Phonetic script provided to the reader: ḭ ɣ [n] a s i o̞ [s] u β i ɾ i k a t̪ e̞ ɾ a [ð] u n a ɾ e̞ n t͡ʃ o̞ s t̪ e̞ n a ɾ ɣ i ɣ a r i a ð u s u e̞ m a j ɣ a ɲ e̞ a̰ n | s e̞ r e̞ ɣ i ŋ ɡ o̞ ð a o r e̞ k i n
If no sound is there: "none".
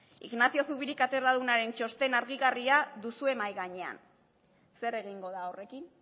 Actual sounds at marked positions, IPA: n, s, ð

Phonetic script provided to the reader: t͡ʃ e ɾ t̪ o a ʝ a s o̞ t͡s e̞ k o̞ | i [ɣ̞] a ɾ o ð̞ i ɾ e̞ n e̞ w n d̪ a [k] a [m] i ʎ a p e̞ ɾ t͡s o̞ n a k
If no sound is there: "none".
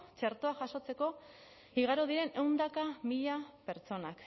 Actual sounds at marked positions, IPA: ɣ̞, k, m

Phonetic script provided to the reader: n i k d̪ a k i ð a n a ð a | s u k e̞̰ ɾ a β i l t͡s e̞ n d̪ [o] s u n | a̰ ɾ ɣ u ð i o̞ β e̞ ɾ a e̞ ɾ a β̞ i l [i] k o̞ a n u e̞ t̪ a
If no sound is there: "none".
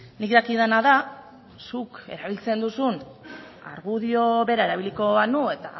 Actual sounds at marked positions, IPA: u, i

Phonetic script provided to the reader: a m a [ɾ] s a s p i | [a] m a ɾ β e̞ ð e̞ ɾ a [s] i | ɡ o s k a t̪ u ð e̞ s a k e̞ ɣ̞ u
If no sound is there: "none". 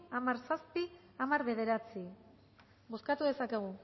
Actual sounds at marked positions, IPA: ɾ, a, t͡s

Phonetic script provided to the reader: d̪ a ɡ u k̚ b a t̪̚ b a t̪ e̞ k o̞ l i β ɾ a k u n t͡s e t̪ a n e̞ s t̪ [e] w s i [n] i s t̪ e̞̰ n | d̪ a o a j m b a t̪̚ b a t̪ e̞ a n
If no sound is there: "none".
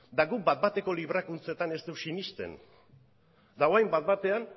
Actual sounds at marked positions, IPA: e, n

